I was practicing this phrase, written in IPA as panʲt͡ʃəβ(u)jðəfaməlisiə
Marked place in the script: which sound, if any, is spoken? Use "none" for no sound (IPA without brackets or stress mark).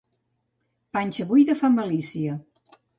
u